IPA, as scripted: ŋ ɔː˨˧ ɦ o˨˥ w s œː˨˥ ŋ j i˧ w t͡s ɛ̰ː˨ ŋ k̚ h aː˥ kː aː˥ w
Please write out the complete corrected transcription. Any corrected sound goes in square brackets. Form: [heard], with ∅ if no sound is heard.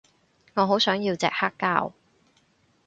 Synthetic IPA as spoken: ŋ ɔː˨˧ ɦ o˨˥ w s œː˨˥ ŋ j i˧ w t͡s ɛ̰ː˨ [∅] k̚ h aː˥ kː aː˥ w